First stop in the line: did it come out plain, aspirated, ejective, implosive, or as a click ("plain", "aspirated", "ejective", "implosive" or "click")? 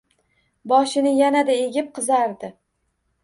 plain